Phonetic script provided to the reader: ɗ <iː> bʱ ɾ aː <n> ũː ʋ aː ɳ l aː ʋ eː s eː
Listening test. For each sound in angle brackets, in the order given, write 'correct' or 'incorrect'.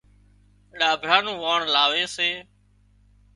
incorrect: aː, correct

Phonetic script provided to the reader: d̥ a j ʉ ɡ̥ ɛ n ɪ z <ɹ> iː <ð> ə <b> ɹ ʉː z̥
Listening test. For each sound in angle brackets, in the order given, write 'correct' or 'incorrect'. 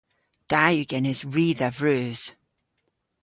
correct, correct, incorrect: v

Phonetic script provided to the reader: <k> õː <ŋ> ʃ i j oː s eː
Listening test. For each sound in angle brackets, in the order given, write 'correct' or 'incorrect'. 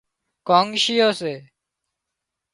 correct, correct

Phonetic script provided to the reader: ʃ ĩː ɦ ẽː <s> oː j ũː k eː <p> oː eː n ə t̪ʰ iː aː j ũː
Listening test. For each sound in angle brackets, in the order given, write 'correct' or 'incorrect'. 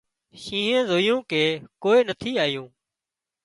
incorrect: z, incorrect: k

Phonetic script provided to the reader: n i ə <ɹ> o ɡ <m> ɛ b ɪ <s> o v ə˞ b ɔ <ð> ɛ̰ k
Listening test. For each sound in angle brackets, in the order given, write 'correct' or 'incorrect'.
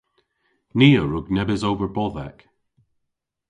correct, incorrect: n, incorrect: z, correct

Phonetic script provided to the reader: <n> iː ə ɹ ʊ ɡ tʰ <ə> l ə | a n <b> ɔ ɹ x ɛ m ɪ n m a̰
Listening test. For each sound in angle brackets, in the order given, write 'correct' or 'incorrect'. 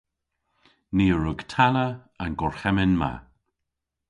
correct, incorrect: a, incorrect: ɡ

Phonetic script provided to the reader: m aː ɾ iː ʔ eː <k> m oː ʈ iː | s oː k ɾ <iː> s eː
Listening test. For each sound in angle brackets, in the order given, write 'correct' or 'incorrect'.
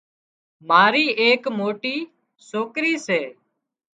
correct, correct

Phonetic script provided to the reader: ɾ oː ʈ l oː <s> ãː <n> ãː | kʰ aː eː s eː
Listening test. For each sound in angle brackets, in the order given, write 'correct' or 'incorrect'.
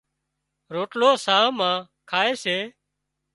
correct, incorrect: m

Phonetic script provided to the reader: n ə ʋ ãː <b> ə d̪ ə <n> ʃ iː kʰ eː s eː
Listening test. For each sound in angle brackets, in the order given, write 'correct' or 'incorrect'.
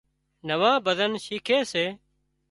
correct, correct

